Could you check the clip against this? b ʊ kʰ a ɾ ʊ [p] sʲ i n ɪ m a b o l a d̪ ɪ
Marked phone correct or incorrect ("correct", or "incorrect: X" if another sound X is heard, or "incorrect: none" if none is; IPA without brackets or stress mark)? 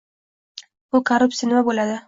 correct